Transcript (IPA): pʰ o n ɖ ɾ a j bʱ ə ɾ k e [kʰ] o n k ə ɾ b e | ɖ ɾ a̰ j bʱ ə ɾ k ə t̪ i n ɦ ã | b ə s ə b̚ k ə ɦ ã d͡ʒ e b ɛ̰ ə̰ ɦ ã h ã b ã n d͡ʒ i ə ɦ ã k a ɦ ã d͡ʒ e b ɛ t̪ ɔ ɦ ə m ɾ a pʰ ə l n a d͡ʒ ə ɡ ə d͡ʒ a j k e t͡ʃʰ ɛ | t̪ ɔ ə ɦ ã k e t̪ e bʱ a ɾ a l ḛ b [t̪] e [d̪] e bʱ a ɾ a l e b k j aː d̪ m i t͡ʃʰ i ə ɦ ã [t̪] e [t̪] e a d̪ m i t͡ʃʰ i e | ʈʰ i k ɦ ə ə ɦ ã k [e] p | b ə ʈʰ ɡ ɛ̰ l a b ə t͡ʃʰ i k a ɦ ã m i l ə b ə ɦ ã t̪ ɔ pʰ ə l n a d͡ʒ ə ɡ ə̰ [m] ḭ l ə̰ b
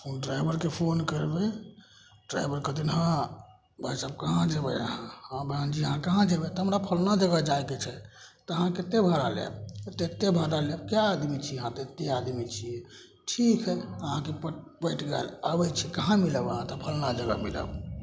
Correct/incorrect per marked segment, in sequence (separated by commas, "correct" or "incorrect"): incorrect, correct, incorrect, correct, correct, correct, correct